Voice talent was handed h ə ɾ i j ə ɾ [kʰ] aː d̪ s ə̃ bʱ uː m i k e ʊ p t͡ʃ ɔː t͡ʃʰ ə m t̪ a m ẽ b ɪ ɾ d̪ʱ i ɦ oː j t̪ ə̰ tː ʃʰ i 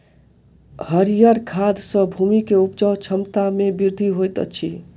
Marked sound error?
no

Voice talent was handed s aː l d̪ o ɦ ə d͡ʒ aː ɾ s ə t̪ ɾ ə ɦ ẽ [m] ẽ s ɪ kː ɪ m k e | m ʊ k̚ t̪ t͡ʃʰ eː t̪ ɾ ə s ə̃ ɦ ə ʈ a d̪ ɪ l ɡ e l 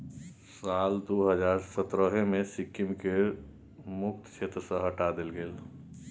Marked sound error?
no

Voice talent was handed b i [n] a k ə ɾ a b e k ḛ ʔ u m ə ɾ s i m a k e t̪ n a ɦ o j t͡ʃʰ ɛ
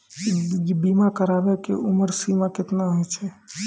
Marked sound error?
yes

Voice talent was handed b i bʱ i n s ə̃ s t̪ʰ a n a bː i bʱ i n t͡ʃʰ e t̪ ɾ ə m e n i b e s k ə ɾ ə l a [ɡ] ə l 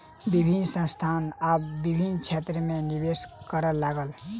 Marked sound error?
no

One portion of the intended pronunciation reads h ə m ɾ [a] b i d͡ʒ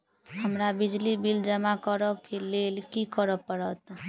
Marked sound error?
no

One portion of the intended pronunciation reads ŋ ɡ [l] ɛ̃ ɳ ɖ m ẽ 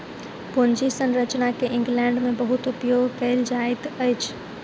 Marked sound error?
no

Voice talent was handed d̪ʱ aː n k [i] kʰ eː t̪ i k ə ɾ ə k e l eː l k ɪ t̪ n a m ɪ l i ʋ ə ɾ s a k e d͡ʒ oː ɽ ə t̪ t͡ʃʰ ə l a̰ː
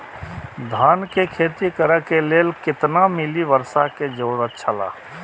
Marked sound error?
yes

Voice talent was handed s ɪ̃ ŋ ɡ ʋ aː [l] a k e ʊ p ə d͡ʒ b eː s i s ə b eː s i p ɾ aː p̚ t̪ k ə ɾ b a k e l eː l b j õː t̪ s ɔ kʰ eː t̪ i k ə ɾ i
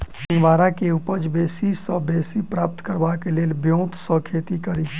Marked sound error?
yes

